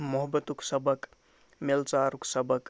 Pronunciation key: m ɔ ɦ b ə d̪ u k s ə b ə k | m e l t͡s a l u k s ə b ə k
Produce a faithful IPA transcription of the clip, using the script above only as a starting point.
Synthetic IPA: m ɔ ɦ b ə t̪ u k s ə b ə k | m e l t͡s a ɾ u k s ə b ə k